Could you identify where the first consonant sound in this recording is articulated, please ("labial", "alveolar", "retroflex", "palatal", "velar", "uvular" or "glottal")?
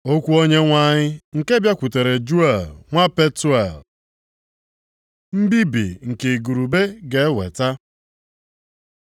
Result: velar